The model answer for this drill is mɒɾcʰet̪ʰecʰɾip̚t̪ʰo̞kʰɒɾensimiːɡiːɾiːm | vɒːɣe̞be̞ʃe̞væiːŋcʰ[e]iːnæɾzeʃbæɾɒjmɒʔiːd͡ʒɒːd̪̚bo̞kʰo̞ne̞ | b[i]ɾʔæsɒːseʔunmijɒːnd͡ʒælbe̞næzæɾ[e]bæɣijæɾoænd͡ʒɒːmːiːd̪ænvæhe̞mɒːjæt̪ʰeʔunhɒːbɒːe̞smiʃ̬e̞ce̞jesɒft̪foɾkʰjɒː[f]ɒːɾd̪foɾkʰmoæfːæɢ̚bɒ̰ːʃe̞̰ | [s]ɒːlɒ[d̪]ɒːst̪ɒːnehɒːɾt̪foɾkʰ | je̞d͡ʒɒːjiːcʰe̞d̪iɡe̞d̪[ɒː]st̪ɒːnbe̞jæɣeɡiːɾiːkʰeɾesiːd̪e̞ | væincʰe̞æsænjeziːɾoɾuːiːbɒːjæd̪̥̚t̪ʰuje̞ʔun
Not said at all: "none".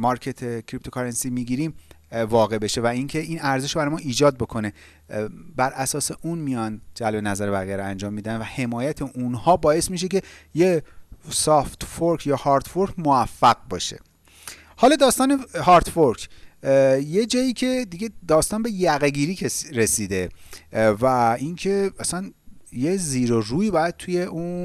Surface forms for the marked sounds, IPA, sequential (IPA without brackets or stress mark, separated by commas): e, æ, e, h, h, d̪, ɒː